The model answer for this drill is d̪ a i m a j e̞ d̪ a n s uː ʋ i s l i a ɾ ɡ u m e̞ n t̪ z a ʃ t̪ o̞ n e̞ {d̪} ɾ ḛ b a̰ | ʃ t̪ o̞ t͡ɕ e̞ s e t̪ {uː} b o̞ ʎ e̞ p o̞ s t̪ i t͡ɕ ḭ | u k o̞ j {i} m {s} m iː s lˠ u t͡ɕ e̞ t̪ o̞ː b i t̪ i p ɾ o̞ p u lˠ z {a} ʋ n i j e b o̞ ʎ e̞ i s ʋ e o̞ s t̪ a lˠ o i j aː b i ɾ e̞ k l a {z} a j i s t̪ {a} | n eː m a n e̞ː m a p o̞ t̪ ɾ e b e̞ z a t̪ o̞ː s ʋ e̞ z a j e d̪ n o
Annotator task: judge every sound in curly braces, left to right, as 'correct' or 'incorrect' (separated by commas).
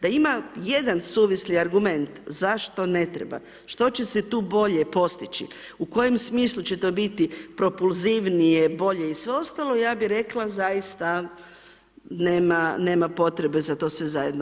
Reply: incorrect, correct, incorrect, correct, incorrect, correct, correct